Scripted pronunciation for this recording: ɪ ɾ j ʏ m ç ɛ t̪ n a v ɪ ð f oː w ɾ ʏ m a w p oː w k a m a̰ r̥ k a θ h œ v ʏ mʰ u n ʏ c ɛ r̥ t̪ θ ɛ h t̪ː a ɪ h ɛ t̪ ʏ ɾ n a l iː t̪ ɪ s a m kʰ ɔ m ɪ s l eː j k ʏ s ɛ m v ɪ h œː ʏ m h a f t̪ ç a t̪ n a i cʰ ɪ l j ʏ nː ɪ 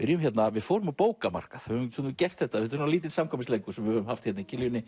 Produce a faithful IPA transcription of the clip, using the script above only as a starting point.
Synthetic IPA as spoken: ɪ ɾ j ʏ m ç ɛ t̪ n a v ɪ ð f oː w ɾ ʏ m a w p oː w k a m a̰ r̥ k a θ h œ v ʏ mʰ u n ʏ c ɛ r̥ t̪ θ ɛ h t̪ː a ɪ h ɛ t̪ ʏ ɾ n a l iː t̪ ɪ s a m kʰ ɔ m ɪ s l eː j k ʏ s ɛ m v ɪ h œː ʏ m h a f t̪ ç ɛ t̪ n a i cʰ ɪ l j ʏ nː ɪ